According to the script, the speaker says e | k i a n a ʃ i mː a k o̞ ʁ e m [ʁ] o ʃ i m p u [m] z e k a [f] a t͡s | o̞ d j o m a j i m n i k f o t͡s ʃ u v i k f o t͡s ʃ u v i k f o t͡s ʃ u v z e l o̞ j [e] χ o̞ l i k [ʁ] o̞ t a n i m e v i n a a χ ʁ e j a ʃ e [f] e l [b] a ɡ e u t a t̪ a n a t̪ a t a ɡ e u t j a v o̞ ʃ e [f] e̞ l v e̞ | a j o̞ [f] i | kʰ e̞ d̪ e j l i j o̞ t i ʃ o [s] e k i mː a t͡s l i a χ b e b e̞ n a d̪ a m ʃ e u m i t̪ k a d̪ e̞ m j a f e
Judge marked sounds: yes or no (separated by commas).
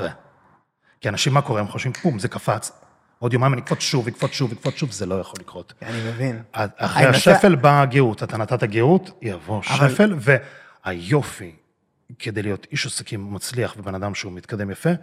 no, yes, yes, no, yes, yes, yes, yes, yes, yes